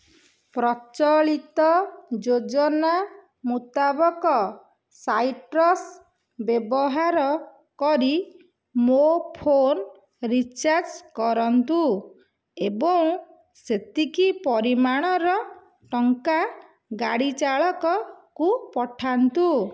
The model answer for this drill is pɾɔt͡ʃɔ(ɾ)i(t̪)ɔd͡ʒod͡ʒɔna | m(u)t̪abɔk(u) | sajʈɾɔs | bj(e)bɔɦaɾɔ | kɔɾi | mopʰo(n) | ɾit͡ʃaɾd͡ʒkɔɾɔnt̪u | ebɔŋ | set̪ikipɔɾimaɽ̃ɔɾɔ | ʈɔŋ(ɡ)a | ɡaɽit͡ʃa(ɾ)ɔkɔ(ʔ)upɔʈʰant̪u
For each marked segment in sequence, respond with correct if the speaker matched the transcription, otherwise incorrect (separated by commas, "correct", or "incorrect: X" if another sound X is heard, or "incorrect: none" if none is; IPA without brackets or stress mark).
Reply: incorrect: ɭ, correct, correct, incorrect: ɔ, correct, correct, incorrect: k, incorrect: ɭ, incorrect: k